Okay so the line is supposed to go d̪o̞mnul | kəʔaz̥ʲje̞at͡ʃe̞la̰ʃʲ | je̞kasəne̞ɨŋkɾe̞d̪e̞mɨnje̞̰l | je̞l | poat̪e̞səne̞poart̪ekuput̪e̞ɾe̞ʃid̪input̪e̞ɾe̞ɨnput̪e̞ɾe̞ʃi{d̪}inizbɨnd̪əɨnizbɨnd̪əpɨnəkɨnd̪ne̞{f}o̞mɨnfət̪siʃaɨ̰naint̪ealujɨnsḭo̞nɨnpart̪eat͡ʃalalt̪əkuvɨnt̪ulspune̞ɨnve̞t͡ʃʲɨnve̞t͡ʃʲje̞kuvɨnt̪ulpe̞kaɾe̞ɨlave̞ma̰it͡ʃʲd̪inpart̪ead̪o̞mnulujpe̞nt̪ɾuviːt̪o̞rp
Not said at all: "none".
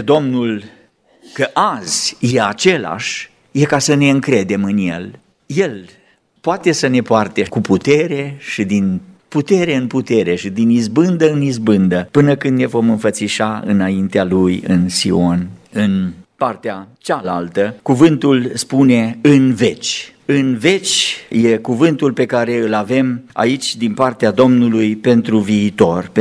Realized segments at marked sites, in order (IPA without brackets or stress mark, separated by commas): d̪, v